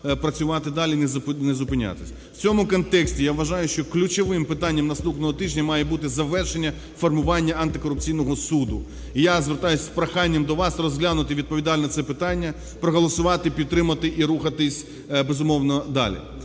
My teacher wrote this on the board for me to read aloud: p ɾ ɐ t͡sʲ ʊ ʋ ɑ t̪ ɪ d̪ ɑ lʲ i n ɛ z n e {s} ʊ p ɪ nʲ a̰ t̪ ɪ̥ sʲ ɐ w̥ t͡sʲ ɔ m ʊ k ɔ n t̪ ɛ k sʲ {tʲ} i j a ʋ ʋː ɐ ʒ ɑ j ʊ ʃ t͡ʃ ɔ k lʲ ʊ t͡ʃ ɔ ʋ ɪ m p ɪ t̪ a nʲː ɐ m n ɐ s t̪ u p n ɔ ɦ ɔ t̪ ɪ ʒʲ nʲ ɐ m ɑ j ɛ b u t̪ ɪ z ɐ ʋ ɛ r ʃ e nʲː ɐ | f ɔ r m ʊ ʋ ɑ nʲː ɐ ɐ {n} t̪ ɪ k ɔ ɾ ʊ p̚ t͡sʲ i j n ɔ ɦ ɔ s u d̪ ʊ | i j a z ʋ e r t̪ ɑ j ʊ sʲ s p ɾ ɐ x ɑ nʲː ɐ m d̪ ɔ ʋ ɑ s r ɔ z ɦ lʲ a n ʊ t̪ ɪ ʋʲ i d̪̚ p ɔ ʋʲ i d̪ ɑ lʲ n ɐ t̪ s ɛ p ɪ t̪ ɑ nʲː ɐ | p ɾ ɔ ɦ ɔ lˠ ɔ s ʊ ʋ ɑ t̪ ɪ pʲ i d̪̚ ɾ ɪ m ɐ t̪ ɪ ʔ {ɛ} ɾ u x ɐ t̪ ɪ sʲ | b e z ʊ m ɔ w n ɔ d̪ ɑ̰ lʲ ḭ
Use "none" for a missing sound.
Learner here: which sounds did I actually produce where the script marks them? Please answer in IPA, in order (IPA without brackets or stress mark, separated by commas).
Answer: z, tʲ, n, i